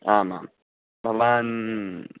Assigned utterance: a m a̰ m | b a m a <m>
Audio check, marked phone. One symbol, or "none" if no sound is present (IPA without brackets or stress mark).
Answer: n